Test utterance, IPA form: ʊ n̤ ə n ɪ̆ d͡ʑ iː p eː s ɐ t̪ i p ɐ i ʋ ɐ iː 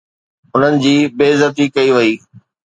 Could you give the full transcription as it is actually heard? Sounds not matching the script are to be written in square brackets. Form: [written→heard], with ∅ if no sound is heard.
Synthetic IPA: ʊ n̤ ə n ɪ̆ d͡ʑ iː [p→b] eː [s→z] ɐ t̪ i [p→k] ɐ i ʋ ɐ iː